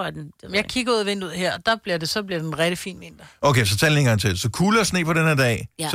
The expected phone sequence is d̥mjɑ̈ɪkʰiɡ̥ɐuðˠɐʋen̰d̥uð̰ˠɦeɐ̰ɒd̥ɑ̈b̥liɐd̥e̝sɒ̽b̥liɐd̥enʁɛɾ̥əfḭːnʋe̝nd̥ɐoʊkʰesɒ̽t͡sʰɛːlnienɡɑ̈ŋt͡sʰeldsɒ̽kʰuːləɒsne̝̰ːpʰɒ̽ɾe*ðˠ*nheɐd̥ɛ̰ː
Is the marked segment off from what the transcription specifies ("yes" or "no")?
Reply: yes